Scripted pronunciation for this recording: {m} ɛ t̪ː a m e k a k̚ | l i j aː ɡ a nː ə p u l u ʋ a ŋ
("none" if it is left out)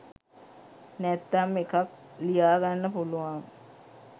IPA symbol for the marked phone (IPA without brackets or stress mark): n